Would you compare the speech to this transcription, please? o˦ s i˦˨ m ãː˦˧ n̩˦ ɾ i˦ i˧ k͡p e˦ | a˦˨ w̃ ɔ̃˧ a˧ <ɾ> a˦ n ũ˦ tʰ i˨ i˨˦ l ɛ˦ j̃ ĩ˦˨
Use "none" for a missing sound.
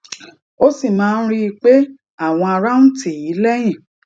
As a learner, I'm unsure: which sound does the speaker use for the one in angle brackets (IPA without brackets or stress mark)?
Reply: ɾ